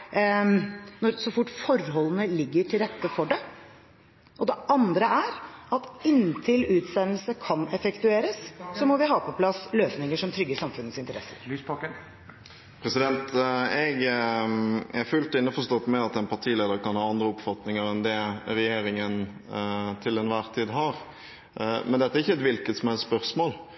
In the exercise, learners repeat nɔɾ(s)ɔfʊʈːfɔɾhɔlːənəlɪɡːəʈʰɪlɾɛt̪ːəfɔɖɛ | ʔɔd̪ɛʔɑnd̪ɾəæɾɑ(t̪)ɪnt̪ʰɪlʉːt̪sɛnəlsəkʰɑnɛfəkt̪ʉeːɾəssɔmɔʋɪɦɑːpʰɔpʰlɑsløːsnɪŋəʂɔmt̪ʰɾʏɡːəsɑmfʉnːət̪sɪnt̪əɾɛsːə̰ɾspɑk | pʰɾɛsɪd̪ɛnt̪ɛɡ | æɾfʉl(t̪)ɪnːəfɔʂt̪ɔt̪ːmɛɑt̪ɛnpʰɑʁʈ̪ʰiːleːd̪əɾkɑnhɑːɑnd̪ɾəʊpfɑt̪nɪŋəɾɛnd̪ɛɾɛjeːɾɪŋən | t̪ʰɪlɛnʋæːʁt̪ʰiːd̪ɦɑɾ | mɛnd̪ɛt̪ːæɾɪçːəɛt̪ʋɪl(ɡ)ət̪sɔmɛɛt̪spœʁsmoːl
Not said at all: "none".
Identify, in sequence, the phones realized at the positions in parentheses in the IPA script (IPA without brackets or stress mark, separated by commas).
s, t̪, t̪, k